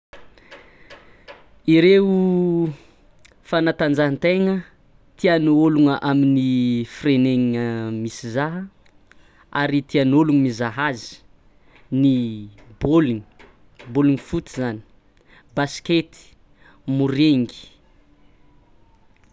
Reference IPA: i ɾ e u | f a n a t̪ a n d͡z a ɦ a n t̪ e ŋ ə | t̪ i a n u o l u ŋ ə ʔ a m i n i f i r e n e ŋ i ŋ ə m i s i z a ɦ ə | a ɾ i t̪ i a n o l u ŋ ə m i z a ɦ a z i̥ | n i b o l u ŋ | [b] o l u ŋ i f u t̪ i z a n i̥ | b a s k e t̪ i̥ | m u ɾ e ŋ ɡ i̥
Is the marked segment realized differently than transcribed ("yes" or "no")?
no